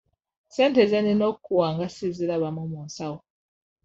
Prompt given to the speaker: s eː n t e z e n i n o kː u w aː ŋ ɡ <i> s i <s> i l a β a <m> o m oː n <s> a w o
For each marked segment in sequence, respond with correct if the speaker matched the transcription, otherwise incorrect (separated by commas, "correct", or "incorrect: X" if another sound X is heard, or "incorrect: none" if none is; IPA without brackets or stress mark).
incorrect: a, incorrect: z, correct, correct